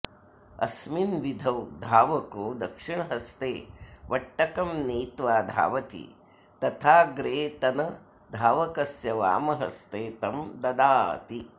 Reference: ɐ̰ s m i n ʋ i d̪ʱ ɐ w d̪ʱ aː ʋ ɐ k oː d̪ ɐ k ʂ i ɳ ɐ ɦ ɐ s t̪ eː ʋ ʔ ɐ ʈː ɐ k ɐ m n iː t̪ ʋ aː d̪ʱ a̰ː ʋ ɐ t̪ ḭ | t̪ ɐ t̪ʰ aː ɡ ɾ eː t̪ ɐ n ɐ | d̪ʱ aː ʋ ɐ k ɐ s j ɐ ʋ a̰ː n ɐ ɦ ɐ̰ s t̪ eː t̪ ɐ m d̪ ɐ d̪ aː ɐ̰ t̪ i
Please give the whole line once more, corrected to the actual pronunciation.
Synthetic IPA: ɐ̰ s m i n ʋ i d̪ʱ ɐ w d̪ʱ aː ʋ ɐ k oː d̪ ɐ k ʂ i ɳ ɐ ɦ ɐ s t̪ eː ʋ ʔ ɐ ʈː ɐ k ɐ m n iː t̪ ʋ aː d̪ʱ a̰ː ʋ ɐ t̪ ḭ | t̪ ɐ t̪ʰ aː ɡ ɾ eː t̪ ɐ n ɐ | d̪ʱ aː ʋ ɐ k ɐ s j ɐ ʋ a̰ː m ɐ ɦ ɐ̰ s t̪ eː t̪ ɐ m d̪ ɐ d̪ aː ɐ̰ t̪ i

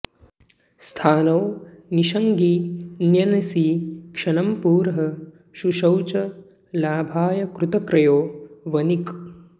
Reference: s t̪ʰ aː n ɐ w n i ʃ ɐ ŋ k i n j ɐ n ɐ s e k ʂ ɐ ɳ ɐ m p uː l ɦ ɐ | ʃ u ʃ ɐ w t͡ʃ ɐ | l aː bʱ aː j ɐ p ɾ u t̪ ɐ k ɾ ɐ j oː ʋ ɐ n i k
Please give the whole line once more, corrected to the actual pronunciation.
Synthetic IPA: s t̪ʰ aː n ɐ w n i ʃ ɐ ŋ ɡ i n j ɐ n ɐ s i k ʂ ɐ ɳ ɐ m p uː ɾ ɦ ɐ | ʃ u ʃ ɐ w t͡ʃ ɐ | l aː bʱ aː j ɐ k ɾ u t̪ ɐ k ɾ ɐ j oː ʋ ɐ n i k

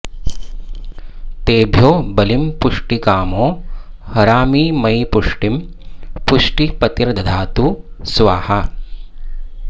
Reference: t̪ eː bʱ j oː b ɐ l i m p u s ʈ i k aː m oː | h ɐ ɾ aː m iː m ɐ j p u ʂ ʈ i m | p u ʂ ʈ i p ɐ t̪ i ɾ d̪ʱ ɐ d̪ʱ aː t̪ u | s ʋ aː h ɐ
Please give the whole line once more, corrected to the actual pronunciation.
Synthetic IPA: t̪ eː bʱ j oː b ɐ l i m p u ʂ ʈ i k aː m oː | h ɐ ɾ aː m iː m ɐ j p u ʂ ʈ i m | p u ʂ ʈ i p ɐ t̪ i ɾ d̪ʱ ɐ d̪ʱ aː t̪ u | s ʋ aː h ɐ

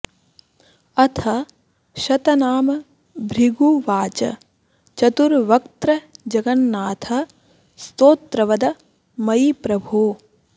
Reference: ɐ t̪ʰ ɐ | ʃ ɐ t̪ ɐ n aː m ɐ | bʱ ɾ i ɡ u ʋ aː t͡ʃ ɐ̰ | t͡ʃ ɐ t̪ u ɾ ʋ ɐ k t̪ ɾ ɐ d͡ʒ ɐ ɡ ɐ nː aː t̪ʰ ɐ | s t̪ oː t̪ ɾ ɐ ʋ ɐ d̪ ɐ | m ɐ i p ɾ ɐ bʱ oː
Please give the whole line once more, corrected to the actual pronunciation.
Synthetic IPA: ɐ t̪ʰ ɐ | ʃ ɐ t̪ ɐ n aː m ɐ | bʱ ɾ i ɡ u ʋ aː t͡ʃ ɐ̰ | t͡ʃ ɐ t̪ u ɾ ʋ ɐ k t̪ ɾ ɐ d͡ʒ ɐ ɡ ɐ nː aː t̪ʰ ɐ | s t̪ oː t̪ ɾ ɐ ʋ ɐ d̪ ɐ | m ɐ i p ɾ ɐ bʱ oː

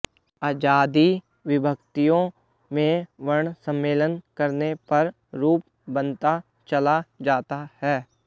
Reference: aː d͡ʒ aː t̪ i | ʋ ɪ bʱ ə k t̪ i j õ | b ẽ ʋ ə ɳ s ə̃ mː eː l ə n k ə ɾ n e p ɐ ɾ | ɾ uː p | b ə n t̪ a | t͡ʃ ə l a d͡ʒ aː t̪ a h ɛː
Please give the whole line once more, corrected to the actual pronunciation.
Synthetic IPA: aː d͡ʒ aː d̪ i | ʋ ɪ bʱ ə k t̪ i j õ | m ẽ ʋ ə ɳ s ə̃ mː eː l ə n k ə ɾ n e p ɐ ɾ | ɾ uː p | b ə n t̪ a | t͡ʃ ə l a d͡ʒ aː t̪ a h ɛː

